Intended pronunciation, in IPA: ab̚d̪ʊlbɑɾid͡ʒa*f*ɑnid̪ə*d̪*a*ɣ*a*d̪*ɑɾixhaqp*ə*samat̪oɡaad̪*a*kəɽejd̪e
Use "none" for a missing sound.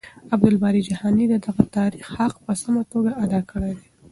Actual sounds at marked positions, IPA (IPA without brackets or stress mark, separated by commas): h, d̪, ɣ, t̪, ə, ɑ